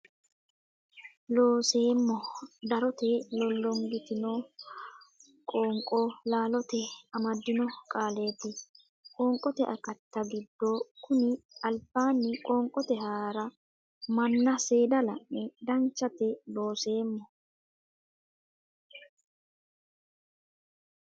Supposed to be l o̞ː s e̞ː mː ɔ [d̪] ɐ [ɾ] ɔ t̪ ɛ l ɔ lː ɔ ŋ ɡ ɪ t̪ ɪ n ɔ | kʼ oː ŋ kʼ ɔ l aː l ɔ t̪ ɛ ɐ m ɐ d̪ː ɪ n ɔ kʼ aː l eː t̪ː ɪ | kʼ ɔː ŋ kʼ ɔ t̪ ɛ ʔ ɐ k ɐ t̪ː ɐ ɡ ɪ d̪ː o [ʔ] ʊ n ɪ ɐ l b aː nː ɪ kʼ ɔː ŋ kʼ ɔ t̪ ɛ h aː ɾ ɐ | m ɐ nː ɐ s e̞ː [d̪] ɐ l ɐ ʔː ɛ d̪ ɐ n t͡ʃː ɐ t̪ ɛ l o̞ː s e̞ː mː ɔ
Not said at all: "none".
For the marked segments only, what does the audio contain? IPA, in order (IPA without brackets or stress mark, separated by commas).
d̪, ɾ, k, d̪